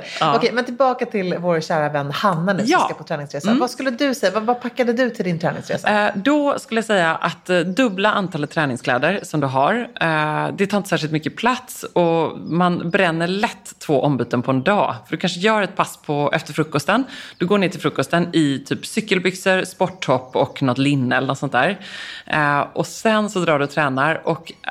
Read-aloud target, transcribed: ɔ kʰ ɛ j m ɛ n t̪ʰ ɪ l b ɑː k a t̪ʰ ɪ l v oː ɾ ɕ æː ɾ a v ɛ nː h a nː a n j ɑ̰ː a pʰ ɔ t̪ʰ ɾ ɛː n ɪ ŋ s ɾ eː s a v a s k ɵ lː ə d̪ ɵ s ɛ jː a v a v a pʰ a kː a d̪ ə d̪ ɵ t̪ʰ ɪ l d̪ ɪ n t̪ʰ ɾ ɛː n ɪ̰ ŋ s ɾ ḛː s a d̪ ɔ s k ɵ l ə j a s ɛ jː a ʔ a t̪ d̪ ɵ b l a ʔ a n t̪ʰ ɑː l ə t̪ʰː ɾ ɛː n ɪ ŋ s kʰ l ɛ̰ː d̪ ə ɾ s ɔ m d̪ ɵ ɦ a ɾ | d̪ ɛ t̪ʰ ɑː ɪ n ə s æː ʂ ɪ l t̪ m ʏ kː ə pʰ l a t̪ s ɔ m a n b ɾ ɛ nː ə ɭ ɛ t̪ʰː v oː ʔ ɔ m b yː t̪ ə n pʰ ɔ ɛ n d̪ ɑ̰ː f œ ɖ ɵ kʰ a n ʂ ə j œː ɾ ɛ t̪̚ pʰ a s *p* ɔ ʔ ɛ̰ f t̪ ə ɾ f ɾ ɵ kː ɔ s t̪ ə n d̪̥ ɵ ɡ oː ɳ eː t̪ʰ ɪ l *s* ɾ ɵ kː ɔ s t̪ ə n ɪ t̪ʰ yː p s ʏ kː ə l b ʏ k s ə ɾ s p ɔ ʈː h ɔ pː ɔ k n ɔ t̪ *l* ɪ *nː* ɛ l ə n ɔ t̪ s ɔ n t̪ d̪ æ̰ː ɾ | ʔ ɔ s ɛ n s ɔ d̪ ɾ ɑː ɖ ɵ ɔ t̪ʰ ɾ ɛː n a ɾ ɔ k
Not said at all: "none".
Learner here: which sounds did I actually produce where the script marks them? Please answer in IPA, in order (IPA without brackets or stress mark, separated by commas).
pʰ, f, l, nː